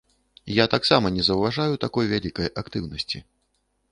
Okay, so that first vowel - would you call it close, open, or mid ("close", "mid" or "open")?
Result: open